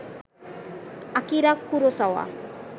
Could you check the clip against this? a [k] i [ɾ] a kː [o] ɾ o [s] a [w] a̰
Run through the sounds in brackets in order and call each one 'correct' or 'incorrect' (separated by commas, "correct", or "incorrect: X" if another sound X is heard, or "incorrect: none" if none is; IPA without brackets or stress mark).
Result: correct, correct, incorrect: u, correct, correct